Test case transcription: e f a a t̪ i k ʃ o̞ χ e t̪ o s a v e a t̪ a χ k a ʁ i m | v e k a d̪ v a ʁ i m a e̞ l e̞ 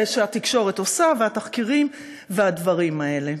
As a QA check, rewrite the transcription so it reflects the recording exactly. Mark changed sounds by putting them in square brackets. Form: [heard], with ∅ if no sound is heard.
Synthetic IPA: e [ʃ] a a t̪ i k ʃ o̞ [ʁ] e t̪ o s a v e a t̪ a χ k [i] ʁ i m | v e [∅] a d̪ v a ʁ i m a e̞ l e̞